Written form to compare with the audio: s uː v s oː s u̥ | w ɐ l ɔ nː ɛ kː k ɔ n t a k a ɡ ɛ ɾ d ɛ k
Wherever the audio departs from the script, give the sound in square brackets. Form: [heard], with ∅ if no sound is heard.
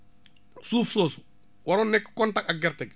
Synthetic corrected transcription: s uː [f] s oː s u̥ | w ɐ [ɾ] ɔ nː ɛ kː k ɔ n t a k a ɡ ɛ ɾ [t] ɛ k